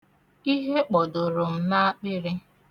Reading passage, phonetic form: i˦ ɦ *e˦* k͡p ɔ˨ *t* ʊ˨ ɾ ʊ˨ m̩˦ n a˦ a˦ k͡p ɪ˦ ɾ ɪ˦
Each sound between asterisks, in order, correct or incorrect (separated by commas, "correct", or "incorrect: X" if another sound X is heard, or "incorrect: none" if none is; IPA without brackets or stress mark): correct, incorrect: d